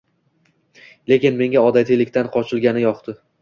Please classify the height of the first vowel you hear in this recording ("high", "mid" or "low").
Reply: mid